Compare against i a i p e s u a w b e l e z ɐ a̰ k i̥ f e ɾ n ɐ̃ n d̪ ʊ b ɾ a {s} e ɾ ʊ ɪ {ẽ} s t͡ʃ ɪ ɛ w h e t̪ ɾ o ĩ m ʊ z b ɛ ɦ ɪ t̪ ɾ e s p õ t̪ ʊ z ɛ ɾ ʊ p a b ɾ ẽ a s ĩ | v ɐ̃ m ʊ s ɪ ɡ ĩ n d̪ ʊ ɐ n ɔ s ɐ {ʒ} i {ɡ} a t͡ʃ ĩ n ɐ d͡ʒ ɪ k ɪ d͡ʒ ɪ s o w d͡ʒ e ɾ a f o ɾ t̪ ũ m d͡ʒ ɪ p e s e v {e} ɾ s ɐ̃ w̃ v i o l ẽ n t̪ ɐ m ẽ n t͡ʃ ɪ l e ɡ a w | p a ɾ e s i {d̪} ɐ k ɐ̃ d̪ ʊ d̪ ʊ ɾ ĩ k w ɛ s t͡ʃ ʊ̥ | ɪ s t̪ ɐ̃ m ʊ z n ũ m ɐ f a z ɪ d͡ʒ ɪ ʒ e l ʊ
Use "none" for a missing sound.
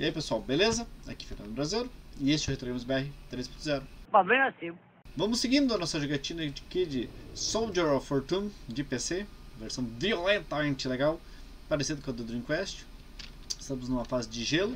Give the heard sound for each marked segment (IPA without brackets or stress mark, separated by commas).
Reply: z, e, ʒ, ɡ, e, d̪